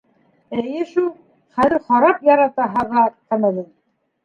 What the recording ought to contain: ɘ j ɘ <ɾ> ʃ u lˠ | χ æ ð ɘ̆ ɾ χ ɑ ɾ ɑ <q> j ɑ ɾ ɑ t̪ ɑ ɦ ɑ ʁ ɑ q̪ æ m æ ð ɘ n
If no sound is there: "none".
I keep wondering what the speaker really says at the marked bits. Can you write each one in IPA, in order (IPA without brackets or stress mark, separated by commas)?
none, p